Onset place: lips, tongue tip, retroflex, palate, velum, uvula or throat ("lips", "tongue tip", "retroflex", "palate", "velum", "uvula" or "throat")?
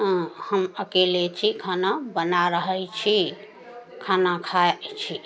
throat